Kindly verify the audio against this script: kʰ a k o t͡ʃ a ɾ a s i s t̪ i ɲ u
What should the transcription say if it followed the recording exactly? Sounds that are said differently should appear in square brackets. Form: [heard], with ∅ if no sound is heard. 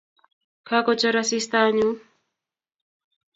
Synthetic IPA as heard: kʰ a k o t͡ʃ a ɾ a s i s t̪ [a] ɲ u